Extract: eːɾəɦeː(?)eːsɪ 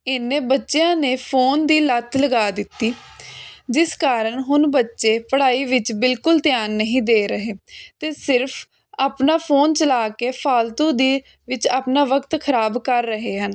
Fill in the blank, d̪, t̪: t̪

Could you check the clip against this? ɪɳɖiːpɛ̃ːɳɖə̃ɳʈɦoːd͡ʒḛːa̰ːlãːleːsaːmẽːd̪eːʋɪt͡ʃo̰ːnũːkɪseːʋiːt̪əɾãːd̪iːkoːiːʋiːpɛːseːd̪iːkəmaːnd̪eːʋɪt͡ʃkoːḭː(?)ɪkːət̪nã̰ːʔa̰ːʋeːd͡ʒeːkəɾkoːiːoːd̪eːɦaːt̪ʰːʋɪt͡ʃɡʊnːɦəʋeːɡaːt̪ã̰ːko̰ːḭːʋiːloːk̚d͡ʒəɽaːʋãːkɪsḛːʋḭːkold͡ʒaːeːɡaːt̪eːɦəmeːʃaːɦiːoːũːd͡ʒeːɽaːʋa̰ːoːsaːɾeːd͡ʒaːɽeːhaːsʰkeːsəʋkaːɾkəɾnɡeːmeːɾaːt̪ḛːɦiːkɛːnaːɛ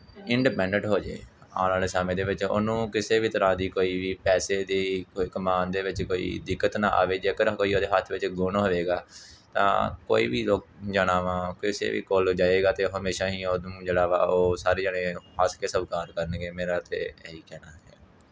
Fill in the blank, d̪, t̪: d̪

